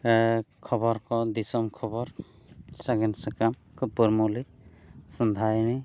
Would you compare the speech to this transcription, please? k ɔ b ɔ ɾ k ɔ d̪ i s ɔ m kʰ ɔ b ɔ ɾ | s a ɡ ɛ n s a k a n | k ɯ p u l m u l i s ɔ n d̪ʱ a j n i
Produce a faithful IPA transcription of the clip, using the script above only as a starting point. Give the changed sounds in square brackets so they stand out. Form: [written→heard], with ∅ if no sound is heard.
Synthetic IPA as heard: [k→kʰ] ɔ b ɔ ɾ k ɔ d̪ i s ɔ m kʰ ɔ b ɔ ɾ | s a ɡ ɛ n s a k a [n→m] | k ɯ p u [l→ɾ] m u l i s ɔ n d̪ʱ a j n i